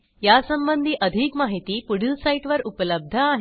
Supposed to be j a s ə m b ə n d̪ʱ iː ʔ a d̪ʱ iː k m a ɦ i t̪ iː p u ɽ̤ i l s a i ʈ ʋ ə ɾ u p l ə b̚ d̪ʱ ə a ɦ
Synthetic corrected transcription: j a s ə m b ə n d̪ʱ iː ʔ ə d̪ʱ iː k m a ɦ i t̪ iː p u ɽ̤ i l s a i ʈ ʋ ə ɾ u p l ə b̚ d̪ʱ ə a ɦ